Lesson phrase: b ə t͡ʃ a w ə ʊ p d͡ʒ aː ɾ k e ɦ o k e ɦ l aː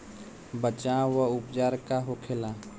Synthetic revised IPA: b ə t͡ʃ a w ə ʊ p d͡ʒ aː ɾ k a ɦ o kʰ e l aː